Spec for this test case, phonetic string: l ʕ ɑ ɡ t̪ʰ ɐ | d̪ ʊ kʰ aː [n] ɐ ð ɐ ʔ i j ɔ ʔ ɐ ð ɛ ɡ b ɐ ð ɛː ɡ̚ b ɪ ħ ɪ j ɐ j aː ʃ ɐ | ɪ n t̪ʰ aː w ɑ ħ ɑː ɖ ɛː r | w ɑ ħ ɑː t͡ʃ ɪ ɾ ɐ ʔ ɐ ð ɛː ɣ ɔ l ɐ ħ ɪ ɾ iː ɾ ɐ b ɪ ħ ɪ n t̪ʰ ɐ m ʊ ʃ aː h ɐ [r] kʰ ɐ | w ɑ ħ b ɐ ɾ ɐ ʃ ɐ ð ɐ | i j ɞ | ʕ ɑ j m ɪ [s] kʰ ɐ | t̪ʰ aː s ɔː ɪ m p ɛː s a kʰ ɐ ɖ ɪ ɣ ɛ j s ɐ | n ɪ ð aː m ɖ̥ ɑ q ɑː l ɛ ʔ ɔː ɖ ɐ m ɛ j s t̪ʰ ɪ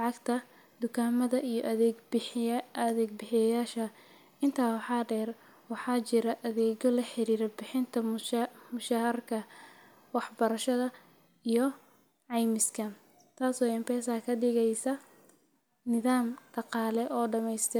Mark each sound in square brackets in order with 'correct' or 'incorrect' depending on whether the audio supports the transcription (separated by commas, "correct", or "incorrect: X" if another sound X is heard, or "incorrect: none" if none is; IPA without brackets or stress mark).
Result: incorrect: m, correct, correct